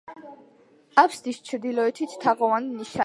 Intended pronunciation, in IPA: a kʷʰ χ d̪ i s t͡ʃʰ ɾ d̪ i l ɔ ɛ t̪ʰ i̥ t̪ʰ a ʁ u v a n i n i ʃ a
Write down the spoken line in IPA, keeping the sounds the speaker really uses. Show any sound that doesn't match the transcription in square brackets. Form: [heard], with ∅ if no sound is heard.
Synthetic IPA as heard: a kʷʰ [s] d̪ i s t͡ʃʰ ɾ d̪ i l ɔ ɛ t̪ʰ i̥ t̪ʰ a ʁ [ɔ] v a n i n i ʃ a